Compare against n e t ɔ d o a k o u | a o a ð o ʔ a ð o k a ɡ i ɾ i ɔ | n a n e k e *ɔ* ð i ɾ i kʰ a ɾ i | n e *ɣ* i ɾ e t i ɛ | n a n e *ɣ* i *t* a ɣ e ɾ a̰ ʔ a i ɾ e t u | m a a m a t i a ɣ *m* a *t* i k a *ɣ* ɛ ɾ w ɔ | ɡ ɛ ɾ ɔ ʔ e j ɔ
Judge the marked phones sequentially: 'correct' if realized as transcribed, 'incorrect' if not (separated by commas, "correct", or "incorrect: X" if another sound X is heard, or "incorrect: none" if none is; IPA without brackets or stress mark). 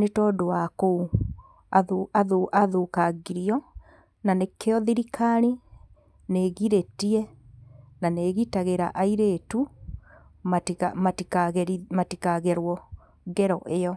correct, correct, correct, correct, correct, correct, correct